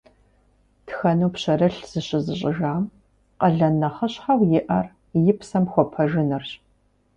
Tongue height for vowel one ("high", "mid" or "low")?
low